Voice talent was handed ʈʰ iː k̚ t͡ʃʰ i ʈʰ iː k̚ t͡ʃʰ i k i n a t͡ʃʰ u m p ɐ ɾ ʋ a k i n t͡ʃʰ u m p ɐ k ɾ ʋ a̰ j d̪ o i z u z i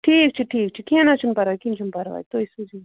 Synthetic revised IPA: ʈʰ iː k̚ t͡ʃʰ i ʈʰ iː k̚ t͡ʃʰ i k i n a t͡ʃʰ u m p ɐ ɾ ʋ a k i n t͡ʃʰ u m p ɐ ɾ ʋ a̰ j t̪ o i s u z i